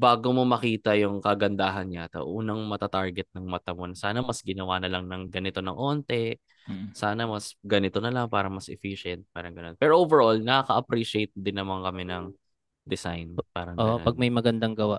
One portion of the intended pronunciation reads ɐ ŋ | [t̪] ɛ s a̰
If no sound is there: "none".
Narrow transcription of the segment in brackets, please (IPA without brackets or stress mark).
d̪